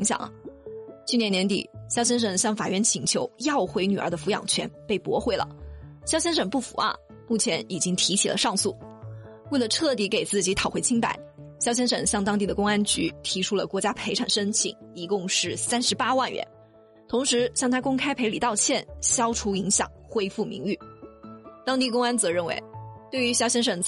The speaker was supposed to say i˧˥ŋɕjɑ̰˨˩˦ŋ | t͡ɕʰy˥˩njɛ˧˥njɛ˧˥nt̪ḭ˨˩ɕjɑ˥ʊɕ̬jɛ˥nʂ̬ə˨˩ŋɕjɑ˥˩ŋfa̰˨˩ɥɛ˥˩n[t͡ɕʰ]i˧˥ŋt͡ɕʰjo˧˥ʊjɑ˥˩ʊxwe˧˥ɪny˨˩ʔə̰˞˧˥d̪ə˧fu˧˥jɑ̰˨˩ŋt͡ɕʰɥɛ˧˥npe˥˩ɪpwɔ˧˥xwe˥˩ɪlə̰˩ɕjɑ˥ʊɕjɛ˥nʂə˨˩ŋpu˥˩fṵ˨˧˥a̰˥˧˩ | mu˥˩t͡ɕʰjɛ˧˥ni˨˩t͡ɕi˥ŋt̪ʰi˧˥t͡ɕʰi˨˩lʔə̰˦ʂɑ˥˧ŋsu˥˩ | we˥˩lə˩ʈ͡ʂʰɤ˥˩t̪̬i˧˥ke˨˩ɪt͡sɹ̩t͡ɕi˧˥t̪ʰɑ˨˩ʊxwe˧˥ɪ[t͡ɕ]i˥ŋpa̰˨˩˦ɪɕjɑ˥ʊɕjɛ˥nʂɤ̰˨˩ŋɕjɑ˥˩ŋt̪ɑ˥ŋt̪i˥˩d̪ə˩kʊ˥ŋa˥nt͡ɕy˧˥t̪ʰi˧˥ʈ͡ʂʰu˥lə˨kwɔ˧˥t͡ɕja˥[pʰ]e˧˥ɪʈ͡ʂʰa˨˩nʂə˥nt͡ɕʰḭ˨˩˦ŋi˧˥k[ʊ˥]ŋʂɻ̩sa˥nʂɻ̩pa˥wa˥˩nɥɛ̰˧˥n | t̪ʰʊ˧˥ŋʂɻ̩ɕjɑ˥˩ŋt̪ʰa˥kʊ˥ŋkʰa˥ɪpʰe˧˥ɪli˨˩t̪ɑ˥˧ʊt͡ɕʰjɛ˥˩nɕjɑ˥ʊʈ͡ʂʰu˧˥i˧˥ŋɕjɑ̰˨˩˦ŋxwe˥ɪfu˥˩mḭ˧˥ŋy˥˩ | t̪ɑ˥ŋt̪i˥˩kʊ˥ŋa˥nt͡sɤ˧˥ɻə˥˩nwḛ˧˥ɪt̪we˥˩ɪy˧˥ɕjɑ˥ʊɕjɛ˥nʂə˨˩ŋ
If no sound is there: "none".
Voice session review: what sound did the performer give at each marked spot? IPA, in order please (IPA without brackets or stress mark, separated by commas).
t͡ɕʰ, t͡ɕʰ, pʰ, ʊ˥˧